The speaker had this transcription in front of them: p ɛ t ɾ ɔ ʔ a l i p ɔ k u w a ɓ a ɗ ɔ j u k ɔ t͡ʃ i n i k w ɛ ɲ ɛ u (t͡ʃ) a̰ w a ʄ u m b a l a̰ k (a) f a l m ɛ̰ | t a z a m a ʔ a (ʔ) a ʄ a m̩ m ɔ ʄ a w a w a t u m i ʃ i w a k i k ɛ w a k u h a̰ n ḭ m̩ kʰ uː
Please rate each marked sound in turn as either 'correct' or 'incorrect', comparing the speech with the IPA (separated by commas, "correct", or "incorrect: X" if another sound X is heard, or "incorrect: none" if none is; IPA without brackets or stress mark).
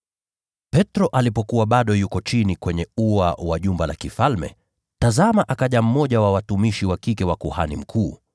incorrect: none, incorrect: i, incorrect: k